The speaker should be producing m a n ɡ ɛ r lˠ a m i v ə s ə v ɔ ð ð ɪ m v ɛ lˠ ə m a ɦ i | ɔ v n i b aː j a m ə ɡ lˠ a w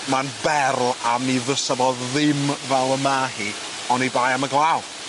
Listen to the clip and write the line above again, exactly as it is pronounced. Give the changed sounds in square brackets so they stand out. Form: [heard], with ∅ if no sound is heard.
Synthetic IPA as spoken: m a n [b] ɛ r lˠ a m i [ð] ə s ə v ɔ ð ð ɪ m v ɛ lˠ ə m a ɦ i | ɔ [∅] n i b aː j a m ə ɡ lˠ a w